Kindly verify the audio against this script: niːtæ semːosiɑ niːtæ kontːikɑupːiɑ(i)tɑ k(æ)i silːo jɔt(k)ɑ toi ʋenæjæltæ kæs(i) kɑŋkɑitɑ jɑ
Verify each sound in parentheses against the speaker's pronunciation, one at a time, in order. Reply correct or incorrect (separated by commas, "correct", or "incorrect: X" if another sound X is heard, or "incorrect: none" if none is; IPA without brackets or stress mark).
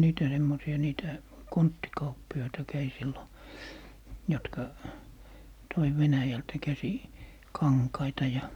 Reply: correct, correct, correct, correct